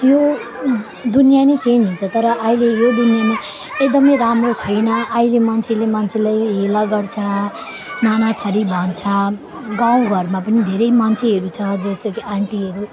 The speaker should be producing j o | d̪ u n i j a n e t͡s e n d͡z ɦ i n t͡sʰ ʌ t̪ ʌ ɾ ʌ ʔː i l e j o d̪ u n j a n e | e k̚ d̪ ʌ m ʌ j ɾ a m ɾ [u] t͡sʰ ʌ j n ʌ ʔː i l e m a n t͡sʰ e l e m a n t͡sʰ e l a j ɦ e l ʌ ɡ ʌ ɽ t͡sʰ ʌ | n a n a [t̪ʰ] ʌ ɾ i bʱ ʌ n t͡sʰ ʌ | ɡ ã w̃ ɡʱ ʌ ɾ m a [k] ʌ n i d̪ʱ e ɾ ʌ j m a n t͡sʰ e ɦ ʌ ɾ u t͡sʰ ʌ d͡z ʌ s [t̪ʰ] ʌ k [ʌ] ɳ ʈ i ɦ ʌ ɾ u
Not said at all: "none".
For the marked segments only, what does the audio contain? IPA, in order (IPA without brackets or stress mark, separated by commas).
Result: o, t̪ʰ, p, t̪, a